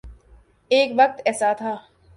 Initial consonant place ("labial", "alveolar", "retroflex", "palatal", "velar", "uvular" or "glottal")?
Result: velar